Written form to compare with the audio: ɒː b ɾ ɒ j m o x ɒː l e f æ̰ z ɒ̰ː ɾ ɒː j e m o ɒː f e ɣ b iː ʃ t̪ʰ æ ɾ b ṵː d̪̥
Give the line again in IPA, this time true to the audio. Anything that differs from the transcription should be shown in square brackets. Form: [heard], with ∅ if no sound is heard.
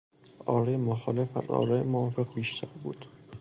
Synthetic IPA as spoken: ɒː [∅] ɾ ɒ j m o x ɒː l e f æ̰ z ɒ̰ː ɾ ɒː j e m o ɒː f e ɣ b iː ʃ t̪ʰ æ ɾ b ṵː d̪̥